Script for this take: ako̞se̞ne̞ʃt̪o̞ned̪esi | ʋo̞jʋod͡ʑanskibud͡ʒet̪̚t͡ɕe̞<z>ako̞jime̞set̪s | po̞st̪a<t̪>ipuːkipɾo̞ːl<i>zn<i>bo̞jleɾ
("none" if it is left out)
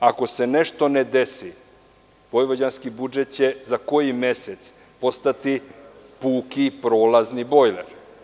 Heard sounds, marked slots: z, t̪, a, i

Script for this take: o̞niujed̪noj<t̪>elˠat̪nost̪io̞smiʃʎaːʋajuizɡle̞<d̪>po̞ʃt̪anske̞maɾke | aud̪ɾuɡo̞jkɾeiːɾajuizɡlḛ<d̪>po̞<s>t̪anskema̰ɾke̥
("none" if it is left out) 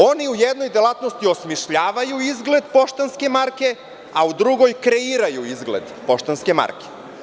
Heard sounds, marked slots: d̪, d̪, d̪, ʃ

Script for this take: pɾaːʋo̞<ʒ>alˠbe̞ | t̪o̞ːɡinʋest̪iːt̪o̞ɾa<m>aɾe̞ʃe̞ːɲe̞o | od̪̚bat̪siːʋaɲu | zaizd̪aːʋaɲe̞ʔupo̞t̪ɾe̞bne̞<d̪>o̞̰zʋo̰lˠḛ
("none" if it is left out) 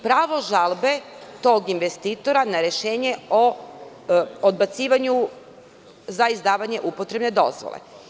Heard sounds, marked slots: ʒ, n, d̪

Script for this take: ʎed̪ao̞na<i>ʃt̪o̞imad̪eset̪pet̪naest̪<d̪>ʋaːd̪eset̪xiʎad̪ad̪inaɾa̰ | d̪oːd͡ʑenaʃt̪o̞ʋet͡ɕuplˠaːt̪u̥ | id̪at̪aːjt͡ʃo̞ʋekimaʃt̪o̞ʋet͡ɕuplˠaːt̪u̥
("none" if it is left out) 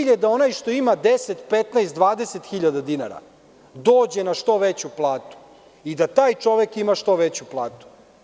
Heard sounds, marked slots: j, d̪

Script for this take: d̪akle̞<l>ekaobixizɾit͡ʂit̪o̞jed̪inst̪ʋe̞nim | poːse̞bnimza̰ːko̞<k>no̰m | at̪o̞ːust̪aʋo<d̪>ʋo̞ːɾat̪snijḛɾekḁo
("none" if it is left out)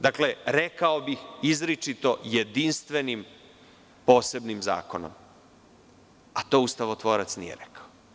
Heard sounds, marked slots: ɾ, none, t̪

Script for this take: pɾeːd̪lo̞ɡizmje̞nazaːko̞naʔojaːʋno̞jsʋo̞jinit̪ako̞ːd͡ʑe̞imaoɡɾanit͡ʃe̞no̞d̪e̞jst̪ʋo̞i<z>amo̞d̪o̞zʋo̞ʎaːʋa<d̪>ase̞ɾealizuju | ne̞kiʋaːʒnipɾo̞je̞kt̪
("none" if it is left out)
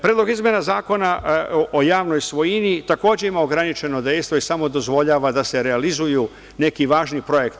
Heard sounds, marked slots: s, d̪

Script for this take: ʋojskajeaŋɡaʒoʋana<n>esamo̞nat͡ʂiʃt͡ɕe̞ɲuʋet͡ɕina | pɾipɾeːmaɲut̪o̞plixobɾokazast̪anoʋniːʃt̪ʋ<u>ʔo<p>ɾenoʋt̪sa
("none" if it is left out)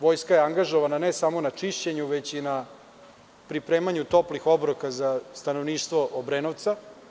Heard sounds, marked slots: n, o, b

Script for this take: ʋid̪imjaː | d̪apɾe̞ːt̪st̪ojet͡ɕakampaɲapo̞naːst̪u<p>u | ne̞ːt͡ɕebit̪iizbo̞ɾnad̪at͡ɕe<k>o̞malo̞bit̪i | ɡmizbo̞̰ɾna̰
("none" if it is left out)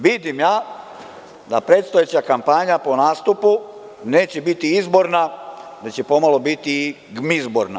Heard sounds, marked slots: p, p

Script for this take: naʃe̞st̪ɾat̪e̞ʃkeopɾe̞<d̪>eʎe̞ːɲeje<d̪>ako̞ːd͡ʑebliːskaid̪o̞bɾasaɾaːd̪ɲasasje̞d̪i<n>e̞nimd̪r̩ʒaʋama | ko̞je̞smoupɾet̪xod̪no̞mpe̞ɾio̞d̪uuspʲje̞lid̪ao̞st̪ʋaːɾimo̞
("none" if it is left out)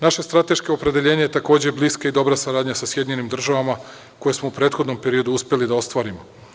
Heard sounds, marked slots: d̪, t̪, ɲ

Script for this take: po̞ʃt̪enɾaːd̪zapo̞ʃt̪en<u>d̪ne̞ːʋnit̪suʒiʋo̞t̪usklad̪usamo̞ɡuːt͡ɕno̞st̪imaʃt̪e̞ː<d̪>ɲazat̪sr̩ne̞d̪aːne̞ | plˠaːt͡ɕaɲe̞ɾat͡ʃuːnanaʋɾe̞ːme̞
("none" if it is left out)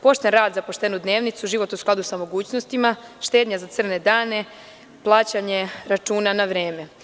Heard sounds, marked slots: u, d̪

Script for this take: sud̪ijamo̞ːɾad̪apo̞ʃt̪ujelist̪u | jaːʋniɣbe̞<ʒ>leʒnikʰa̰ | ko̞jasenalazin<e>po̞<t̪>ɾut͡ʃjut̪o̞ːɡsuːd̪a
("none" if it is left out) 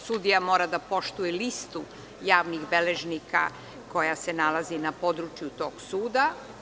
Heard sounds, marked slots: none, a, d̪

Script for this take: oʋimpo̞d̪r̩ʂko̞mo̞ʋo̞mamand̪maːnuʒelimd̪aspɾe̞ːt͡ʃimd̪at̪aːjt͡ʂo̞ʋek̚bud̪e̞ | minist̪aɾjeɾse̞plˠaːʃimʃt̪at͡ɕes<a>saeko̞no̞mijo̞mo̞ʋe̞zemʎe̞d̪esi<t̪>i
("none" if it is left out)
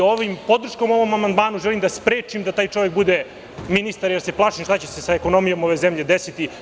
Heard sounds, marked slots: e, t̪

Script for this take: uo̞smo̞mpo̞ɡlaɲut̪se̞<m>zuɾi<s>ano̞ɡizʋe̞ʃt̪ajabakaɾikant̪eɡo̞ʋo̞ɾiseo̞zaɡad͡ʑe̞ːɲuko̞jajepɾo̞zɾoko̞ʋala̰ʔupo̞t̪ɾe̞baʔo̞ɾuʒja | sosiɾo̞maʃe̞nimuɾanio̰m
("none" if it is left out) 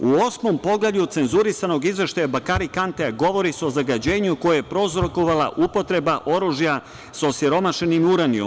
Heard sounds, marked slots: n, s

